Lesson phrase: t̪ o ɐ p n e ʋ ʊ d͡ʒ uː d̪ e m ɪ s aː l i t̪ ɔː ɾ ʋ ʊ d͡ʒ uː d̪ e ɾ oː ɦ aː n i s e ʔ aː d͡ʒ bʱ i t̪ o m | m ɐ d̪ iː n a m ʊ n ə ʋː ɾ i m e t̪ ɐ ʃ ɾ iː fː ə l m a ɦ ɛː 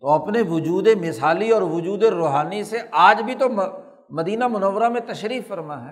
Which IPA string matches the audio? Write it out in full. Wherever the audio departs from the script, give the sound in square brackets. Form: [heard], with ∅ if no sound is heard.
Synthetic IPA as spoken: t̪ o ɐ p n e ʋ ʊ d͡ʒ uː d̪ e m ɪ s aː l i [∅] ɔː ɾ ʋ ʊ d͡ʒ uː d̪ e ɾ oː ɦ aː n i s e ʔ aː d͡ʒ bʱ i t̪ o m | m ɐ d̪ iː n a m ʊ n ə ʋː ɾ [a] m [ẽ] t̪ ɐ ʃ ɾ iː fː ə [ɾ] m a ɦ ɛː